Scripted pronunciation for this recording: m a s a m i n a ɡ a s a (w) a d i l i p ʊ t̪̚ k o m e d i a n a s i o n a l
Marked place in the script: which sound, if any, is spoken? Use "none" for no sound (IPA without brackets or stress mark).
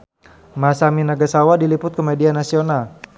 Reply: w